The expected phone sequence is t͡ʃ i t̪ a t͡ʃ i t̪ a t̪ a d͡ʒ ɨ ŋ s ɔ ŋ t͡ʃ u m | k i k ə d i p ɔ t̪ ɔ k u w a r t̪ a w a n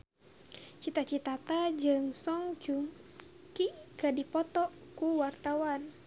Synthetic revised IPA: t͡ʃ i t̪ a t͡ʃ i t̪ a t̪ a d͡ʒ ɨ ŋ s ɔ ŋ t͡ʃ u m | k i k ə d i p ɔ t̪ ɔ k u w a r t̪ a w a n

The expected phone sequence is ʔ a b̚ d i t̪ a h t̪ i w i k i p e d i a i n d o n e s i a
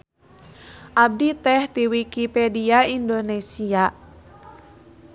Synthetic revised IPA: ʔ a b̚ d i t̪ ɛ h t̪ i w i k i p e d i a i n d o n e s i a

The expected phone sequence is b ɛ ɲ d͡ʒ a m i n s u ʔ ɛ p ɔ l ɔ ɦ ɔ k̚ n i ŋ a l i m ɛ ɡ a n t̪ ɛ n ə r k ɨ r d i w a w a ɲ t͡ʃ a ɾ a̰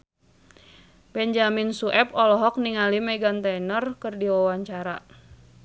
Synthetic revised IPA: b ɛ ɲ d͡ʒ a m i n s u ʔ ɛ p ɔ l ɔ ɦ ɔ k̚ n i ŋ a l i m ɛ ɡ a n t̪ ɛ n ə r k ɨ r d i w a w a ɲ t͡ʃ a ɾ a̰

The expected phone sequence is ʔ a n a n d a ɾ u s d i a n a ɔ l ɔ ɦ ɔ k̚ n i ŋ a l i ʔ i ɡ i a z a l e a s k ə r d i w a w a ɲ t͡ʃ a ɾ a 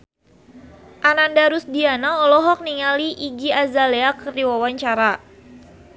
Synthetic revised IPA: ʔ a n a n d a ɾ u s d i a n a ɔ l ɔ ɦ ɔ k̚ n i ŋ a l i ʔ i ɡ i a z a l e a k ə r d i w a w a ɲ t͡ʃ a ɾ a

